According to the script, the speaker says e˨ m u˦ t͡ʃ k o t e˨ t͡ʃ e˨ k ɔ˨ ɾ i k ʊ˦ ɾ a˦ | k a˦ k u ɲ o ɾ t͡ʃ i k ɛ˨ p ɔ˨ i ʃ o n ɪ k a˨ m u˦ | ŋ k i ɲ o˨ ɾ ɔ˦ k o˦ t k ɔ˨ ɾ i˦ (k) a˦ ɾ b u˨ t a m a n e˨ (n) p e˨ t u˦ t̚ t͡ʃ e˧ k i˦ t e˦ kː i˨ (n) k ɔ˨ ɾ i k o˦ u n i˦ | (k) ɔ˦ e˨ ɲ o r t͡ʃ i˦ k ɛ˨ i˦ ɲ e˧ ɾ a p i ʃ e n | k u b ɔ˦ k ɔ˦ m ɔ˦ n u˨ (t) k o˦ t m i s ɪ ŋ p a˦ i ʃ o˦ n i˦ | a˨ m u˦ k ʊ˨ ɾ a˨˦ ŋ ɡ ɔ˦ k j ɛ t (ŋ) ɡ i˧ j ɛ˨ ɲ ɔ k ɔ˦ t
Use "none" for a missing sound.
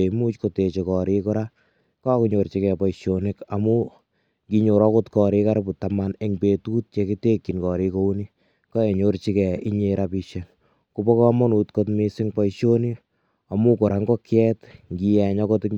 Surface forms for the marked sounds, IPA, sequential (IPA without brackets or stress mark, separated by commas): k, ŋ, n, k, t, ŋ